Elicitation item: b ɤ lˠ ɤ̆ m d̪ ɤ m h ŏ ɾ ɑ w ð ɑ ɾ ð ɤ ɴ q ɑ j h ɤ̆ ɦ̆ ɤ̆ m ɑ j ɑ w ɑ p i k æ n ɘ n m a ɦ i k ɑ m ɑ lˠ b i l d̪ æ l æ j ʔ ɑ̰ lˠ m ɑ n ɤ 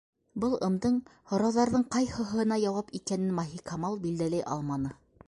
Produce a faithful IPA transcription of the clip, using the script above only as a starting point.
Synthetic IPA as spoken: b ɤ lˠ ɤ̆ m d̪ ɤ ɴ h ŏ ɾ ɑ w ð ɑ ɾ ð ɤ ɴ q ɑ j h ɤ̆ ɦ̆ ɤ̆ n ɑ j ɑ w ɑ p i k æ n ɘ n m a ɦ i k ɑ m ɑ lˠ b i l d̪ æ l æ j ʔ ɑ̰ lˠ m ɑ n ɤ